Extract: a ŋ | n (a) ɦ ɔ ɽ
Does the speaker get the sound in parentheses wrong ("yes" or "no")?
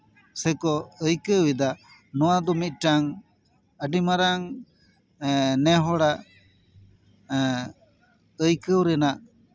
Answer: yes